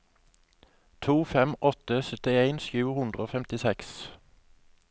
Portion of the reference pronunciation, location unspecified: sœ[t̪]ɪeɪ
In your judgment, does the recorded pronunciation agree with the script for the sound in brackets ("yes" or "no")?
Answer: yes